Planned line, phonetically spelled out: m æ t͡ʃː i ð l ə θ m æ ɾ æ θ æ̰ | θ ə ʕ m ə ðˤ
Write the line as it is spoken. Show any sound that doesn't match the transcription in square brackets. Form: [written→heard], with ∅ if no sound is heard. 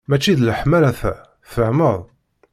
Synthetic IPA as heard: m æ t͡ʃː i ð l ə [θ→ħ] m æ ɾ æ θ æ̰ | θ ə ʕ m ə ðˤ